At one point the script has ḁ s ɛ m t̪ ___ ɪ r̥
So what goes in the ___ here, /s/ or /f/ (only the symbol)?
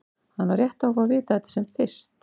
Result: f